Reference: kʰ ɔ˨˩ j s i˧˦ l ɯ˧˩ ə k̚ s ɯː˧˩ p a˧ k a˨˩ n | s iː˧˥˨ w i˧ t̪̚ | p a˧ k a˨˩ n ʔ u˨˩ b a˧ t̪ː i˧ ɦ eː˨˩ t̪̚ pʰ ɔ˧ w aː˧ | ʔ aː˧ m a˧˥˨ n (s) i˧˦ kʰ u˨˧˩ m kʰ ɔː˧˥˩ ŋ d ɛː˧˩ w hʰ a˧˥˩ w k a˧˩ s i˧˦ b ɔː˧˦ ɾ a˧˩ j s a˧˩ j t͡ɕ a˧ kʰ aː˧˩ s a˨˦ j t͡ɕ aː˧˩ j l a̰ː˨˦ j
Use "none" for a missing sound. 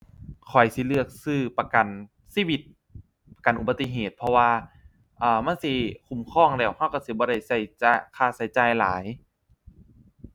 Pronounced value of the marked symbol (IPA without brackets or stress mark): s